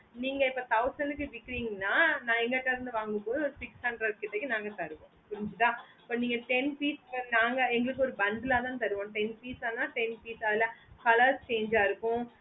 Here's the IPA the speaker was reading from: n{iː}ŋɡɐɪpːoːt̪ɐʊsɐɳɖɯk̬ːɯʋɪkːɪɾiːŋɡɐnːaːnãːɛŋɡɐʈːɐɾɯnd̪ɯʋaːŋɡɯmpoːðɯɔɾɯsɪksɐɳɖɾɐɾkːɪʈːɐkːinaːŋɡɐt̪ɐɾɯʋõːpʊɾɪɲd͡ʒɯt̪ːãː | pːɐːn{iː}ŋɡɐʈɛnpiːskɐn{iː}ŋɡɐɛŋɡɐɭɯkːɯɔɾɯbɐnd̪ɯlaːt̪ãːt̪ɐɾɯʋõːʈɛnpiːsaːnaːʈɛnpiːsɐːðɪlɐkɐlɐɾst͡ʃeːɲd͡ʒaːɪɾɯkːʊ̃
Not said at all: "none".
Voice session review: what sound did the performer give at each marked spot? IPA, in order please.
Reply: iː, iː, aː

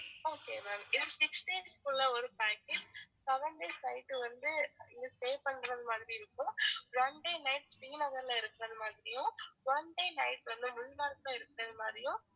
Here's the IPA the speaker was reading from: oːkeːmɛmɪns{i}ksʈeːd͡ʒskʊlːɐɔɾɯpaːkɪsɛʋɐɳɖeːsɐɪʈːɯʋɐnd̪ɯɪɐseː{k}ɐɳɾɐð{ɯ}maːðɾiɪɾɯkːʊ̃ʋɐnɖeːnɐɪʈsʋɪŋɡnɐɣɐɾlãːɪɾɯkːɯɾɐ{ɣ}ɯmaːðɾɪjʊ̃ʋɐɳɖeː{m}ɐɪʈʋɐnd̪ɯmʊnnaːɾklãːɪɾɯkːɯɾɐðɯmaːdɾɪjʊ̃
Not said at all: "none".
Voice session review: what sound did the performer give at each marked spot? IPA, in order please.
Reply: ɪ, p, ɯ, ð, n

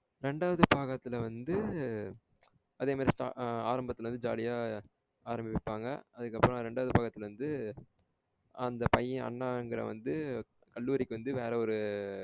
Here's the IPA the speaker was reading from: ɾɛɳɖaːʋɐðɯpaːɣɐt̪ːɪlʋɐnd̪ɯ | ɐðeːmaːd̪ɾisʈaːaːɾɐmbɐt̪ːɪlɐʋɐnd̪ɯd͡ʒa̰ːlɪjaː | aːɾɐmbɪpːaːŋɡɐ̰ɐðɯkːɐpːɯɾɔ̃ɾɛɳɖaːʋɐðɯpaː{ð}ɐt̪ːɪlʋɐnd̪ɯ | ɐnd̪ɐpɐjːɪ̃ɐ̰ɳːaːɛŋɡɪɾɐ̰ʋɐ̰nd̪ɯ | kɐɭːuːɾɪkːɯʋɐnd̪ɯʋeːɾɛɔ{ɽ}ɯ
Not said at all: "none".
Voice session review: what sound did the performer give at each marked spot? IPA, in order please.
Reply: ɣ, ɾ

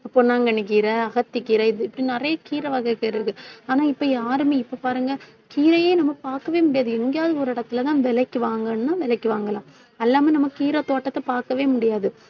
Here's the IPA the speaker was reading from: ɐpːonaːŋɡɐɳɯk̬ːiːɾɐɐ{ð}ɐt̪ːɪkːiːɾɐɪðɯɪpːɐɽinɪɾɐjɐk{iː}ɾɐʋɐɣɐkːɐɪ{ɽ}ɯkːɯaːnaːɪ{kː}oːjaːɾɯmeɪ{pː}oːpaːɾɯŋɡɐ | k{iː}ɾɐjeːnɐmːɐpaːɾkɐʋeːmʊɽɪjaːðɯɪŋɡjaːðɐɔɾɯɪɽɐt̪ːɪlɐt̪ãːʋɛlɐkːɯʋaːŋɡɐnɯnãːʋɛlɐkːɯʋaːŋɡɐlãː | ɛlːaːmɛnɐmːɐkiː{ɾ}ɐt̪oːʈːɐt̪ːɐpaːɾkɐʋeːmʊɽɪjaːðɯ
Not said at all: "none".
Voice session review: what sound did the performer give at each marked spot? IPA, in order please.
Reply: ɣ, iː, ɾ, pː, pː, iː, ɾ

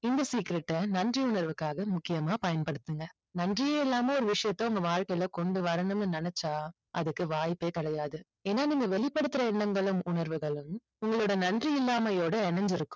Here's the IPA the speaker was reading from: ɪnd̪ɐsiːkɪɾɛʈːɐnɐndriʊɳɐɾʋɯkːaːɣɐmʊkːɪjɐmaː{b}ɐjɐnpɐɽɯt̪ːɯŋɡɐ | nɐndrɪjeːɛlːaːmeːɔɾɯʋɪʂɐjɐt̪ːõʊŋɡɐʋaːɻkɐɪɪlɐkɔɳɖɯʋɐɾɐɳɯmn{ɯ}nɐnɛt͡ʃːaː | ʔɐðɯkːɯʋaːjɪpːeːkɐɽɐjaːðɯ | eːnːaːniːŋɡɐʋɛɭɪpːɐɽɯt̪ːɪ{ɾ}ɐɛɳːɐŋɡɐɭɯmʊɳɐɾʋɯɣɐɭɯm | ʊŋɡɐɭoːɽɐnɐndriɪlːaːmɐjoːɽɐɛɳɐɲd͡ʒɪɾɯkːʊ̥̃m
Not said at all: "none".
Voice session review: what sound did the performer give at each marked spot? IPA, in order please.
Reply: p, ɯ, ɾ

